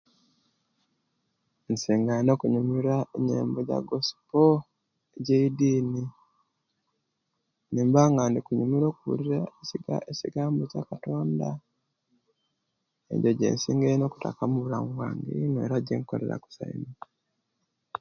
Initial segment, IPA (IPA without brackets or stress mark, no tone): n